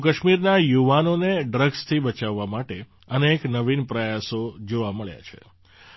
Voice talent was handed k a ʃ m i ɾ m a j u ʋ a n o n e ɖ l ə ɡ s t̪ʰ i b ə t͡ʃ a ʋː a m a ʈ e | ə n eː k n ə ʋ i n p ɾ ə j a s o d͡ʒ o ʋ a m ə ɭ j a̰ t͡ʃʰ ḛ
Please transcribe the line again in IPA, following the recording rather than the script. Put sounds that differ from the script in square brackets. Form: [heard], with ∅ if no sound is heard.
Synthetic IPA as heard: k [ə] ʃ m i ɾ [n] a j u ʋ a n o n e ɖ [ɾ] ə ɡ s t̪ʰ i b ə t͡ʃ a ʋː a m a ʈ e | ə n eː k n ə ʋ i n p ɾ ə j a s o d͡ʒ o ʋ a m ə ɭ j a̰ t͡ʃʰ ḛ